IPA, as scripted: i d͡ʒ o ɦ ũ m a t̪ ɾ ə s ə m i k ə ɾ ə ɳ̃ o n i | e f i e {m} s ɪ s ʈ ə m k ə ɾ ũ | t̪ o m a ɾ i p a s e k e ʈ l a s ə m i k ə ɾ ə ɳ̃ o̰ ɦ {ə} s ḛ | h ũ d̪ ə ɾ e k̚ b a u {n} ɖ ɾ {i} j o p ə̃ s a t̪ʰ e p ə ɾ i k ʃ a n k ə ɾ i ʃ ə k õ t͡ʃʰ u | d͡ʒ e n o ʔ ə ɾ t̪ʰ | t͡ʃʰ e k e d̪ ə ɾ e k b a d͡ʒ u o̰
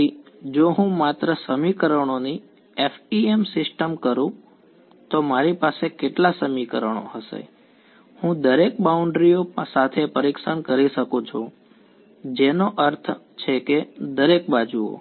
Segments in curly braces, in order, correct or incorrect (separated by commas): correct, correct, incorrect, correct